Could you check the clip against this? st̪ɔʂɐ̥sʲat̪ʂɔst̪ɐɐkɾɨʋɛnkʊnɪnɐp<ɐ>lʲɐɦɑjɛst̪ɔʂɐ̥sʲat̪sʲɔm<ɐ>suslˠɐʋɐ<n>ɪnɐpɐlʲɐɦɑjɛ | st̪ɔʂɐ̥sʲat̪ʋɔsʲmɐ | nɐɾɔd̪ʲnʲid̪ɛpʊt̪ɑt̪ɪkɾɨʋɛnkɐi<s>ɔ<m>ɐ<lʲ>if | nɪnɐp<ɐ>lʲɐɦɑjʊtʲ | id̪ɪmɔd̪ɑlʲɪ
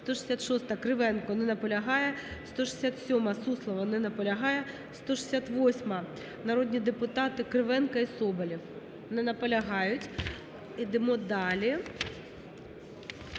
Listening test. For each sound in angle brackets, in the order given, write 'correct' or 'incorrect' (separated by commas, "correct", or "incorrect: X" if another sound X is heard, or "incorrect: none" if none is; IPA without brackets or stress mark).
correct, correct, correct, correct, incorrect: b, correct, correct